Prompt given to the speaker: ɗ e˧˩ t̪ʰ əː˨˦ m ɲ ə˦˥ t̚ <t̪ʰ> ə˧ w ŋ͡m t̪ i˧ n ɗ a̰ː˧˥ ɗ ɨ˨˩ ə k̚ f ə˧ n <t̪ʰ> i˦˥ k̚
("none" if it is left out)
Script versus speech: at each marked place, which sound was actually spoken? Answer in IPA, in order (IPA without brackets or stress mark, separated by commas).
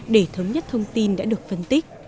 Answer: t̪ʰ, t̪